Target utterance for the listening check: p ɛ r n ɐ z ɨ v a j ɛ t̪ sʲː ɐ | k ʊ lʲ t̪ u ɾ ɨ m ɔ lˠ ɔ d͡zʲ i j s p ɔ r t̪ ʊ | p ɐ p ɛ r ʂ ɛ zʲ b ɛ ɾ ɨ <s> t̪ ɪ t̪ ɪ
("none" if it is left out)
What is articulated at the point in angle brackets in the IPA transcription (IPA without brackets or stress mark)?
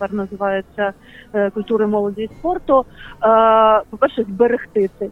x